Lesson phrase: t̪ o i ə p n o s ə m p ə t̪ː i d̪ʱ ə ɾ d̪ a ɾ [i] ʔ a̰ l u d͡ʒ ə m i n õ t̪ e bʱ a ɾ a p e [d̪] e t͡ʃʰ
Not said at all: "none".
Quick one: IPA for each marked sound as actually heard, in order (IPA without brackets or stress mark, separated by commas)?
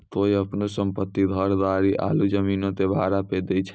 i, d̪